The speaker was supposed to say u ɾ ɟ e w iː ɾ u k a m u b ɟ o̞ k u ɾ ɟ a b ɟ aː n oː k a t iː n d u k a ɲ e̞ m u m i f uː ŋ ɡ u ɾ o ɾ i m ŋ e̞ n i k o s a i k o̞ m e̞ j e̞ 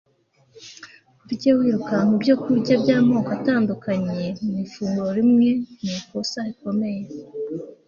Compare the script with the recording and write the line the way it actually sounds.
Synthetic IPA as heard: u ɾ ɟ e w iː ɾ u k a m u b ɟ o̞ k u ɾ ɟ a b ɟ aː m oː k a t aː n d u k a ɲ e̞ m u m i f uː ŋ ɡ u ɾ o ɾ i m ŋ e̞ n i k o s a i k o̞ m e̞ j e̞